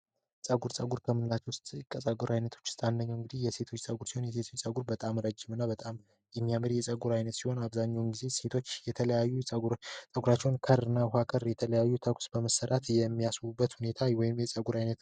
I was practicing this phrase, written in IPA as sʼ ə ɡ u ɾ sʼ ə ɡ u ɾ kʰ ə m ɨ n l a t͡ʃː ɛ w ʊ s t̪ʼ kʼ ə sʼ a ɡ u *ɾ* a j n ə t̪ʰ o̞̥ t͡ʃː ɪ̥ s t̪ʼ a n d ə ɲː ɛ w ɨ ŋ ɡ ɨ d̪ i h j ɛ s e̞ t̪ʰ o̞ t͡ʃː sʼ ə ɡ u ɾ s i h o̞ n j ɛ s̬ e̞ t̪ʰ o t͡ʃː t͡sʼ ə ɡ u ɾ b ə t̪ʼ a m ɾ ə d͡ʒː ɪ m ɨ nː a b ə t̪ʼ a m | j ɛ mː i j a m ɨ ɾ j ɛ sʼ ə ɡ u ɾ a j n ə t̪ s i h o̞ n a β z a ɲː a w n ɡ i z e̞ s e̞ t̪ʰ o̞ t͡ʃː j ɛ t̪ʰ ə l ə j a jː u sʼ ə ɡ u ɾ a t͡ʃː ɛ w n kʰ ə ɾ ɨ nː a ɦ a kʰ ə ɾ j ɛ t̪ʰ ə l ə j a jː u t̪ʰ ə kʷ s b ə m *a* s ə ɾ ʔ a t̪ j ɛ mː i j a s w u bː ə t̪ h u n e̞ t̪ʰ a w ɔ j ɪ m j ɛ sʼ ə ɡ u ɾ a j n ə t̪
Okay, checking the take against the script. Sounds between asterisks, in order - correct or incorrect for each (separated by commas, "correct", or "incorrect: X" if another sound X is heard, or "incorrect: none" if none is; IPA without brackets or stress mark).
correct, incorrect: ə